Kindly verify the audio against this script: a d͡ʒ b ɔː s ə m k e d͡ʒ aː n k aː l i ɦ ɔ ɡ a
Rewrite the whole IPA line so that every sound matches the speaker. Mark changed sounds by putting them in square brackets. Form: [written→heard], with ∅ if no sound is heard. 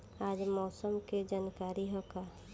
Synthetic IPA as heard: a d͡ʒ [b→m] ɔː s ə m k e d͡ʒ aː n k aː [l→ɾ] i ɦ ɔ [ɡ→k] a